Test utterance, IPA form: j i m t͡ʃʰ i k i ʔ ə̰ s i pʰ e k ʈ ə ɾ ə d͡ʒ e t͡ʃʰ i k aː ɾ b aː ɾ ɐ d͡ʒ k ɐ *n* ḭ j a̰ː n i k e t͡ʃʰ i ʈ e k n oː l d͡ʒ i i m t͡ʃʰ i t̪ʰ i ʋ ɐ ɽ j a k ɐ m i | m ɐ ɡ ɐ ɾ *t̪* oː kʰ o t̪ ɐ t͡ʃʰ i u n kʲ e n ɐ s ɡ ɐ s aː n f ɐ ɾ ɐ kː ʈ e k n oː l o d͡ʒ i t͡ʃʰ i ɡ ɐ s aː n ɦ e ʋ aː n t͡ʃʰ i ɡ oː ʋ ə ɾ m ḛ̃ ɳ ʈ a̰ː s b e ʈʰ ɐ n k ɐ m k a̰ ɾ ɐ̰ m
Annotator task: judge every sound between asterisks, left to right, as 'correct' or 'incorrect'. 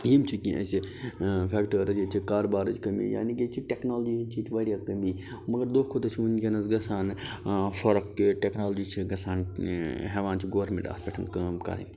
incorrect, incorrect

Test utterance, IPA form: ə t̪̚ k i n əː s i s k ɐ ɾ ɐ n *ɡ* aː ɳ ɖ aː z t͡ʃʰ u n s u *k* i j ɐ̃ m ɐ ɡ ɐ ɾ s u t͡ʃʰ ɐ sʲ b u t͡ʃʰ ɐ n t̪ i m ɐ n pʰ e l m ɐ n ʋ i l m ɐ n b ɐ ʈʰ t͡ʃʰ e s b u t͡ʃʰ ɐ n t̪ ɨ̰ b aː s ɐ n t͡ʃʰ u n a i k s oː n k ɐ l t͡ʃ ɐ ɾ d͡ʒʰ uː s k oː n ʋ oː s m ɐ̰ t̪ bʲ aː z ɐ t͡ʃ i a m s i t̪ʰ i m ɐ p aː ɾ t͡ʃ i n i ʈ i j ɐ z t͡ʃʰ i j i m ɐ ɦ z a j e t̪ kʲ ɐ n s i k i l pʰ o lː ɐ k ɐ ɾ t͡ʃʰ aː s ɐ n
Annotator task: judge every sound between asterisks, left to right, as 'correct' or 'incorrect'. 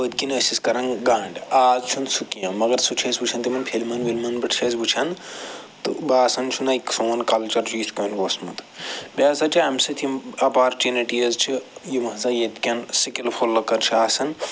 correct, correct

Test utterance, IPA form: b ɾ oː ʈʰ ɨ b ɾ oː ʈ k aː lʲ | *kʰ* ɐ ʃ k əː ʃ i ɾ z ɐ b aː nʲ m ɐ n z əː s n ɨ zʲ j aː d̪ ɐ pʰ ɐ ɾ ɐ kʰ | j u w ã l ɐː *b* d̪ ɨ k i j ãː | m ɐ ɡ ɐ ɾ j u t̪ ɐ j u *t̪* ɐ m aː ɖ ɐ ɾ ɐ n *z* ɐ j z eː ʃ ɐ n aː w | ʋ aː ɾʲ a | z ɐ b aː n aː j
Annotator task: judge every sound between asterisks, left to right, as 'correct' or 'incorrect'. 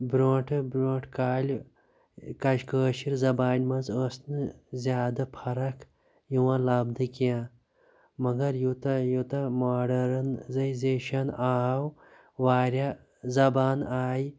incorrect, correct, correct, correct

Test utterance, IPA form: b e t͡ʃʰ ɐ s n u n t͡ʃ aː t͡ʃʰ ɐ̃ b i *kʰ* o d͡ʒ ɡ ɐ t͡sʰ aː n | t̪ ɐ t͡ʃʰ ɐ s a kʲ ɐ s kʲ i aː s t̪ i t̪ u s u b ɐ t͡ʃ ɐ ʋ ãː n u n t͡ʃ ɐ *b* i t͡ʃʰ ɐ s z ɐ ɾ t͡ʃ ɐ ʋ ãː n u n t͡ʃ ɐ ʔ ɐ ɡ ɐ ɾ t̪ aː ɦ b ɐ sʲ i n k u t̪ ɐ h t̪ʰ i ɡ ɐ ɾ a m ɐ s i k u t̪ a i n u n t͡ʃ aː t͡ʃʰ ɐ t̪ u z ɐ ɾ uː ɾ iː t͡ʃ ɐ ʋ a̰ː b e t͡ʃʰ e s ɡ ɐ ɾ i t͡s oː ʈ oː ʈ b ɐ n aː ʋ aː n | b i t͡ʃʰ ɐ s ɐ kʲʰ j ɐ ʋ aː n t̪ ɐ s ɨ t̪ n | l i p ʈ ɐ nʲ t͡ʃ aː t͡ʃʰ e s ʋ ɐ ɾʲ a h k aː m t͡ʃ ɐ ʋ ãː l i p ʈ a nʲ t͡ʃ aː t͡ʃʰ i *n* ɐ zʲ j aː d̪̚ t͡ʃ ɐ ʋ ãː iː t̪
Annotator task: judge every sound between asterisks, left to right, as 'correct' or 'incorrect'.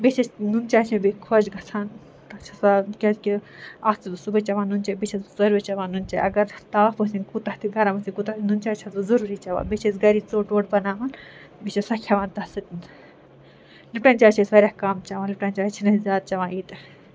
correct, correct, correct

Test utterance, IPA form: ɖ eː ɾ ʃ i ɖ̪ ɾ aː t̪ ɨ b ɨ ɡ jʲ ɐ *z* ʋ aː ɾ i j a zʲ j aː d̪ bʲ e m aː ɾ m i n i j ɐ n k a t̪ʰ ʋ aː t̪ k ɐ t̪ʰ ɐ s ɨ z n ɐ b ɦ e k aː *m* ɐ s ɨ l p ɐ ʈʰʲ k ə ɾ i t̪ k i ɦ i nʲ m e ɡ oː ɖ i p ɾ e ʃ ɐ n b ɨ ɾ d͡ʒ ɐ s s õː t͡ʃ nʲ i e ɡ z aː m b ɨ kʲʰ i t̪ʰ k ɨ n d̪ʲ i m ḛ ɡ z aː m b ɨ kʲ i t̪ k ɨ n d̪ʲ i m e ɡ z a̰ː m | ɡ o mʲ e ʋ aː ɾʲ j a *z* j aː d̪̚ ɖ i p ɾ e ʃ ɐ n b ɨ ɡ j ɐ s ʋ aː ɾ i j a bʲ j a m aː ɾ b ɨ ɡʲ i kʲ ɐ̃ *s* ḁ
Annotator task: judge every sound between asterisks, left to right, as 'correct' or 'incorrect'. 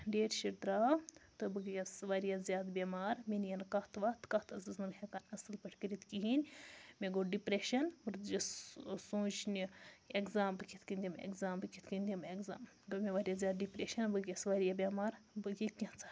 incorrect, incorrect, correct, incorrect

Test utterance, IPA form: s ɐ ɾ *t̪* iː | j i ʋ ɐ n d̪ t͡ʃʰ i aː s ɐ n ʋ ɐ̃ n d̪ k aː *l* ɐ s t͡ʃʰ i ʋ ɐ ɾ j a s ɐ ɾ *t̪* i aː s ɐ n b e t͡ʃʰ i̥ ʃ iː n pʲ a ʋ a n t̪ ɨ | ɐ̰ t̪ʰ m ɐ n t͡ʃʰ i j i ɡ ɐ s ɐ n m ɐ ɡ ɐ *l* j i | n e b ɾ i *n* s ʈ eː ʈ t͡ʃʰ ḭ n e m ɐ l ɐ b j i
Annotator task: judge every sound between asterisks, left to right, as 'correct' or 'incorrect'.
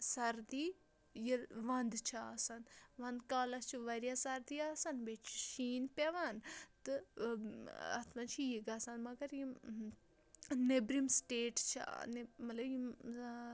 incorrect, correct, incorrect, incorrect, incorrect

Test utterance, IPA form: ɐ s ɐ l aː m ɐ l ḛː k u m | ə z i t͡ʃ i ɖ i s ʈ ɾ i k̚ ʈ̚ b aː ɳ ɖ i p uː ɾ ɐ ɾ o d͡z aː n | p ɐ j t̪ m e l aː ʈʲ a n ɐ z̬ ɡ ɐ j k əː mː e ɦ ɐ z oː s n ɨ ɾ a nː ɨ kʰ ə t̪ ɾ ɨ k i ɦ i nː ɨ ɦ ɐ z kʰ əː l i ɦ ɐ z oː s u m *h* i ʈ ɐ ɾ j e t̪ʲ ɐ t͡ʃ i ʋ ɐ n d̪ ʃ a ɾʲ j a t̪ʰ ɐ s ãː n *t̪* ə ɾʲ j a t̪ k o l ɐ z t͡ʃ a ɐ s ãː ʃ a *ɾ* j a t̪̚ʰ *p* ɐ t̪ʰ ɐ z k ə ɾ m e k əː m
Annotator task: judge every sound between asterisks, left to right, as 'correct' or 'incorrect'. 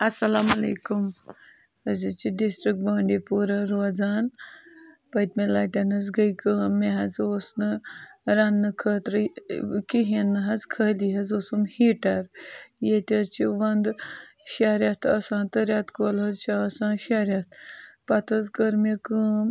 correct, correct, correct, correct

